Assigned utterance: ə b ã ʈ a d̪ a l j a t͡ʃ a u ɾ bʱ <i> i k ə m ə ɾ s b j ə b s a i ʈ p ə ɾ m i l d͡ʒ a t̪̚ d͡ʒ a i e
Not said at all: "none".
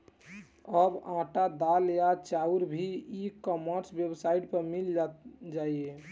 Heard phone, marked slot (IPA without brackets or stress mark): i